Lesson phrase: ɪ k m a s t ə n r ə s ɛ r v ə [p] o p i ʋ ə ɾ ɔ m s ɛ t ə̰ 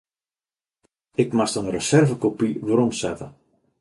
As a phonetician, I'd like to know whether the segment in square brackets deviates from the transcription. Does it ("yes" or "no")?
yes